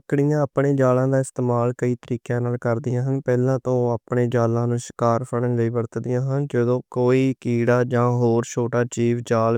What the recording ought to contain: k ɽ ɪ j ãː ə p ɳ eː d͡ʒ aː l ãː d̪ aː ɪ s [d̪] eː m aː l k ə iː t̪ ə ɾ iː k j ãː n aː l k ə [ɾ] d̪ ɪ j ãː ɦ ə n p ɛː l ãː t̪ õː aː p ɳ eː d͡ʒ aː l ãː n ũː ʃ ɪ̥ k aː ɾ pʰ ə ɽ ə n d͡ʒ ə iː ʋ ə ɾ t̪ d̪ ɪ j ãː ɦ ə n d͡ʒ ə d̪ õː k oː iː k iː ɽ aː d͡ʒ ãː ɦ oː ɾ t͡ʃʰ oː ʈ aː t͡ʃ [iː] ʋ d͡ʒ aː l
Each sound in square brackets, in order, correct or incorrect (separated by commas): incorrect, correct, correct